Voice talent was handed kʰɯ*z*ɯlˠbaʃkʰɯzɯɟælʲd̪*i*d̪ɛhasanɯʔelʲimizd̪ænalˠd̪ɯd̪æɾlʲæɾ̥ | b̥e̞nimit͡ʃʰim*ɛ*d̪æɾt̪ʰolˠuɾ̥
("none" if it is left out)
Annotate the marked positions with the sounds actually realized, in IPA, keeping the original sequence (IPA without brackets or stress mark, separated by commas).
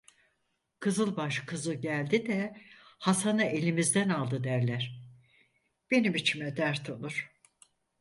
z, i, ɛ